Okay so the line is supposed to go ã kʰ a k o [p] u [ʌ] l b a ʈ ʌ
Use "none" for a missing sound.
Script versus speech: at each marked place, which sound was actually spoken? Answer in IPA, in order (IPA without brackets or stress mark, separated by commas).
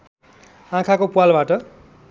p, a